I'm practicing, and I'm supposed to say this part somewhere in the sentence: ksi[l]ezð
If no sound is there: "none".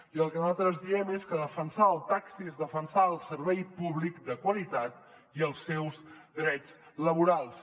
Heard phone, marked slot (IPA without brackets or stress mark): none